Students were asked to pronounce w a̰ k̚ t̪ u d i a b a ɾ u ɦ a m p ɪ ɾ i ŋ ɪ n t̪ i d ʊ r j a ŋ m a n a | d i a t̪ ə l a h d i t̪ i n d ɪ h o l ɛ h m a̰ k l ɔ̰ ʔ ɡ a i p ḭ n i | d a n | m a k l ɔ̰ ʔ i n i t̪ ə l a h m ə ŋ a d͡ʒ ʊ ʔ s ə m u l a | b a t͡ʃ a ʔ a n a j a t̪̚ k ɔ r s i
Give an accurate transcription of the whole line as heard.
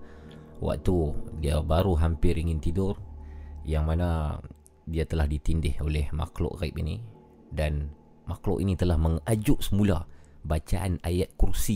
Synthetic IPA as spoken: w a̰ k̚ t̪ u d i a b a ɾ u ɦ a m p ɪ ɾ i ŋ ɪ n t̪ i d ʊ r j a ŋ m a n a | d i a t̪ ə l a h d i t̪ i n d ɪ h o l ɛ h m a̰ k l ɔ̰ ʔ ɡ a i p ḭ n i | d a n | m a k l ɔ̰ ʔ i n i t̪ ə l a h m ə ŋ a d͡ʒ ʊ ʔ s ə m u l a | b a t͡ʃ a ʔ a n a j a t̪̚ k u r s i